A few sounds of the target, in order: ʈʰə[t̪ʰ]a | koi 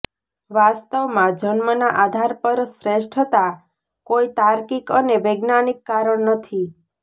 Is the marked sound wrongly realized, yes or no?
yes